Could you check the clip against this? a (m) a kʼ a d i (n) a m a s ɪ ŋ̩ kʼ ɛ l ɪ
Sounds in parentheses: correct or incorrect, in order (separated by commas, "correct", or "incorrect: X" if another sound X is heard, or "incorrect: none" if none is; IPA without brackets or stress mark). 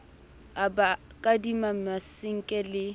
incorrect: b, incorrect: m